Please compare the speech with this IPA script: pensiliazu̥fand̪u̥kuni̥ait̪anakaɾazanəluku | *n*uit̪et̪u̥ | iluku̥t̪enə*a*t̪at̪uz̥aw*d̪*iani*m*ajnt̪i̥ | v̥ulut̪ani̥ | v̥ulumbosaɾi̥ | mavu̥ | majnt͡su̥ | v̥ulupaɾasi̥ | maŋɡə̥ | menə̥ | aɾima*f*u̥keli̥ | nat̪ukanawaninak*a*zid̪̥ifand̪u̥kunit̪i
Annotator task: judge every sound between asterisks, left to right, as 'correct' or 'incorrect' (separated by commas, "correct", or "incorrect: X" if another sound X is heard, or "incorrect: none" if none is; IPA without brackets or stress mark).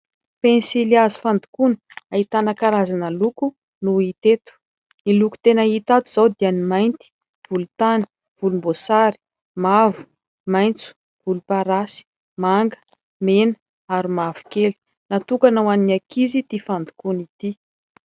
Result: correct, incorrect: i, correct, correct, incorrect: v, incorrect: i